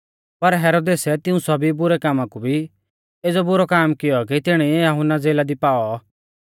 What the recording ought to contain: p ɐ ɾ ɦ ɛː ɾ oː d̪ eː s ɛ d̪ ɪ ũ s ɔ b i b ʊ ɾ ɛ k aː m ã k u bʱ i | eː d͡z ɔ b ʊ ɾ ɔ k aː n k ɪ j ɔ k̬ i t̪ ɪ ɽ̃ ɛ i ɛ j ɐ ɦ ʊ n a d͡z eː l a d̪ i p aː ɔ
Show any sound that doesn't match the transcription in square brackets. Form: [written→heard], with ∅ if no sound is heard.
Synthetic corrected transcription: p ɐ ɾ ɦ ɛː ɾ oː d̪ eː s ɛ [d̪→t̪] ɪ ũ s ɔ b i b ʊ ɾ ɛ k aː m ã k u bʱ i | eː d͡z ɔ b ʊ ɾ ɔ k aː [n→m] k ɪ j ɔ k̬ i t̪ ɪ ɽ̃ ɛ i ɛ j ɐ ɦ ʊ n a d͡z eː l a d̪ i p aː ɔ

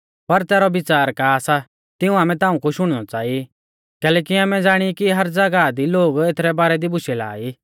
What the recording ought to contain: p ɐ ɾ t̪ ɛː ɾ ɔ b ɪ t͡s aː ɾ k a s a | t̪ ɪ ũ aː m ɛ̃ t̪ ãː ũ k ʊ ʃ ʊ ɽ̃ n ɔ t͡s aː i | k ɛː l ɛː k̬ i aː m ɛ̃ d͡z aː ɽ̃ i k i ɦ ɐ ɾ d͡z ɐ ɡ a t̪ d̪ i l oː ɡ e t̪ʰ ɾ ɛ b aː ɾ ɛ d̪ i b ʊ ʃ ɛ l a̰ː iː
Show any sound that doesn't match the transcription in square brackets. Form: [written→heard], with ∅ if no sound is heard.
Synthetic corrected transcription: p ɐ ɾ t̪ ɛː ɾ ɔ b ɪ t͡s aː ɾ k a s a | t̪ ɪ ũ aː m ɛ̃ t̪ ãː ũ k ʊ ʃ ʊ ɽ̃ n ɔ t͡s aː i | k ɛː l ɛː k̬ i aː m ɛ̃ d͡z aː ɽ̃ i k i ɦ ɐ ɾ d͡z ɐ ɡ a [t̪→∅] d̪ i l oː ɡ e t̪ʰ ɾ ɛ b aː ɾ ɛ d̪ i b ʊ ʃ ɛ l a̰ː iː

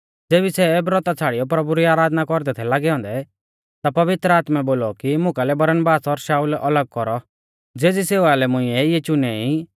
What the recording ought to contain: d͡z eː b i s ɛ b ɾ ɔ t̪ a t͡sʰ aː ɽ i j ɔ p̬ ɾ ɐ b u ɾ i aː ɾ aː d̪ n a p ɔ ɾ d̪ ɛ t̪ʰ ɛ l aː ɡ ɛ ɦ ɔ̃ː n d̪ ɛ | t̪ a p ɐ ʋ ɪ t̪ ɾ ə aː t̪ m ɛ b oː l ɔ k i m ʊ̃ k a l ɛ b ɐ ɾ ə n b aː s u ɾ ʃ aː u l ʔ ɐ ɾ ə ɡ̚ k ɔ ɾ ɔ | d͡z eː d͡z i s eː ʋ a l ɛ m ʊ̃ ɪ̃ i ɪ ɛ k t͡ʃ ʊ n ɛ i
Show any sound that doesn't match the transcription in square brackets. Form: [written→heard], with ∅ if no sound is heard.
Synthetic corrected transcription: d͡z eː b i s ɛ b ɾ ɔ t̪ a t͡sʰ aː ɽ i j ɔ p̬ ɾ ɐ b u ɾ i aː ɾ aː d̪ n a [p→k] ɔ ɾ d̪ ɛ t̪ʰ ɛ l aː ɡ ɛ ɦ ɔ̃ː n d̪ ɛ | t̪ a p ɐ ʋ ɪ t̪ ɾ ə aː t̪ m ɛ b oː l ɔ k i m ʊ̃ k a l ɛ b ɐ ɾ ə n b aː s [u→ɔ] ɾ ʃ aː u l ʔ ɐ [ɾ→l] ə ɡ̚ k ɔ ɾ ɔ | d͡z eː d͡z i s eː ʋ a l ɛ m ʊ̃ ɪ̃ [i→ɛ] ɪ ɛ [k→∅] t͡ʃ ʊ n ɛ i

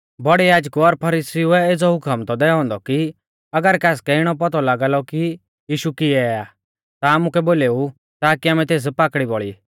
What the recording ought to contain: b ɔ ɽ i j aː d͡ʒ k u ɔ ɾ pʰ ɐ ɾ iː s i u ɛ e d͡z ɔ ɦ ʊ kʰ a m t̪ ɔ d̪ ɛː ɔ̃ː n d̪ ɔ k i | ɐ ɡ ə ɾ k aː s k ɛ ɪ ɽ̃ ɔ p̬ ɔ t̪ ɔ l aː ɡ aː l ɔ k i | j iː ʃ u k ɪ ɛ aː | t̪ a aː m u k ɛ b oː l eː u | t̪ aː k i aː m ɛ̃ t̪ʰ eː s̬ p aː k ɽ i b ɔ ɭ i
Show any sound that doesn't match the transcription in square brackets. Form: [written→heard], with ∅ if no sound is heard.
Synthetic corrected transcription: b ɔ ɽ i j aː d͡ʒ k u ɔ ɾ pʰ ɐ ɾ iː s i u ɛ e d͡z ɔ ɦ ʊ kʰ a m t̪ ɔ d̪ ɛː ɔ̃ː n d̪ ɔ k i | ɐ ɡ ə ɾ k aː s k ɛ ɪ ɽ̃ ɔ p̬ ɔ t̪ ɔ l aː ɡ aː l ɔ k i | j iː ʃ u k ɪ ɛ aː | t̪ a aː m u k ɛ b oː l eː u | t̪ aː k i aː m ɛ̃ [t̪ʰ→t̪] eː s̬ p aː k ɽ i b ɔ ɭ i

